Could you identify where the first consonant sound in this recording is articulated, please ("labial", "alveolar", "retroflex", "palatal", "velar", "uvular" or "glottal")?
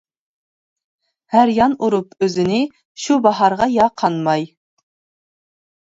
glottal